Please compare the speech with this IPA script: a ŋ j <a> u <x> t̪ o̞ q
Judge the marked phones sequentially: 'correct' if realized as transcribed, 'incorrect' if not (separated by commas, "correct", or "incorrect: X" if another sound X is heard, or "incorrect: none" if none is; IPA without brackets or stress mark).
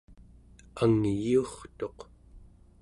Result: incorrect: i, incorrect: χ